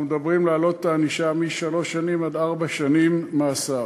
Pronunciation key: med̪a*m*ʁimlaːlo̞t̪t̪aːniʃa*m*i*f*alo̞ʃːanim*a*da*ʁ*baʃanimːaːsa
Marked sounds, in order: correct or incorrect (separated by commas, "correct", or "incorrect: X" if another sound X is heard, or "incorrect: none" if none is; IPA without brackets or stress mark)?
incorrect: b, correct, incorrect: ʃ, correct, correct